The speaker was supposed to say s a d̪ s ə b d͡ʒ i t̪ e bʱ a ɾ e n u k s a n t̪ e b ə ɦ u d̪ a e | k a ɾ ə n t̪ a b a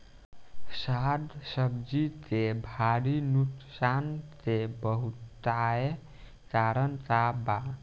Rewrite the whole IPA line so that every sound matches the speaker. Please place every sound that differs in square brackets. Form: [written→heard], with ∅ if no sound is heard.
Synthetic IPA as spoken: s a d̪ s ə b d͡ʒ i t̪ e bʱ a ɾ [e→i] n u k s a n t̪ e b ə ɦ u [d̪→t̪] a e | k a ɾ ə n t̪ a b a